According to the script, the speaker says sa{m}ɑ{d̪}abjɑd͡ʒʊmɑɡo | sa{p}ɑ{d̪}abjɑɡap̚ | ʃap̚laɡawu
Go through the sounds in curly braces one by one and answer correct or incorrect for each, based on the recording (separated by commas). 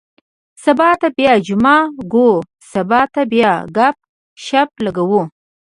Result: incorrect, incorrect, incorrect, incorrect